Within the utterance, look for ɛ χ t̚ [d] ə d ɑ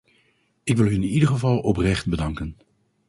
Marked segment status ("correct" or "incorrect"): incorrect